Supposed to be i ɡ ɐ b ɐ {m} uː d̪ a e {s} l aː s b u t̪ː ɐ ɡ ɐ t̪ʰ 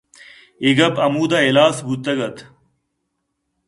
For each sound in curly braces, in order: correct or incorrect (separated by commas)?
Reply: correct, incorrect